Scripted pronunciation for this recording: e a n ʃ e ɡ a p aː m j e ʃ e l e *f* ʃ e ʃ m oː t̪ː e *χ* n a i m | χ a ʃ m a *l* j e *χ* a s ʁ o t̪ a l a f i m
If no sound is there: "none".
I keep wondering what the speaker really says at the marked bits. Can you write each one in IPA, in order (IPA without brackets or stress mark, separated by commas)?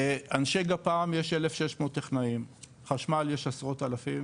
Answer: f, χ, l, ʃ